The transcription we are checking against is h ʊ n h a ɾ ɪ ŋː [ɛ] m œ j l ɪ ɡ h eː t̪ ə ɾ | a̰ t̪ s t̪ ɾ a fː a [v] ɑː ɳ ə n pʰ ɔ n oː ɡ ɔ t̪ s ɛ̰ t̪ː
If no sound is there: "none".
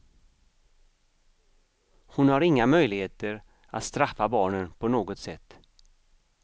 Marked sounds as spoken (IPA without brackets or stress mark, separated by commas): a, b